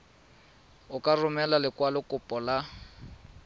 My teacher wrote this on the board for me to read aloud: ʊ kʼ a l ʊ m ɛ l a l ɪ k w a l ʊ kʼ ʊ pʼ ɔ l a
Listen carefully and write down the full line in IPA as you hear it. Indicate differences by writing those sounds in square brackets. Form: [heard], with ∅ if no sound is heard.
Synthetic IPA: ʊ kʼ a [r] ʊ m ɛ l a l ɪ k w a l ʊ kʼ ʊ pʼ ɔ l a